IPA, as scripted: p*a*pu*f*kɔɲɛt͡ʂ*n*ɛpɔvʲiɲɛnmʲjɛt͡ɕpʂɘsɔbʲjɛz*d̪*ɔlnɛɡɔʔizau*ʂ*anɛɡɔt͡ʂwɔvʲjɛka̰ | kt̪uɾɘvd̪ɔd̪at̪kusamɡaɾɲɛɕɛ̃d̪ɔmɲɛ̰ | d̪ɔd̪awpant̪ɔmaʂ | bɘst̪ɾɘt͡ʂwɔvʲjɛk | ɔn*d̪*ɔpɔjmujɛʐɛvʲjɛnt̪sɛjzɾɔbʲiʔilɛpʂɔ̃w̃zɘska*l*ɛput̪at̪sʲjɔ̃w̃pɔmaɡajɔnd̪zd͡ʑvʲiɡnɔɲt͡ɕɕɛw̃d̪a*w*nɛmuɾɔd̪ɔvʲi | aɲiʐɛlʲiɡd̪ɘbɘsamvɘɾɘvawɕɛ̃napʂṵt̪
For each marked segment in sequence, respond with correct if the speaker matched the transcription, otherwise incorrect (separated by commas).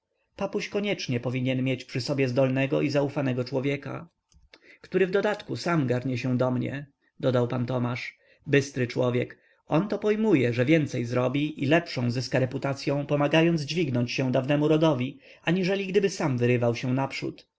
correct, incorrect, incorrect, correct, incorrect, incorrect, incorrect, incorrect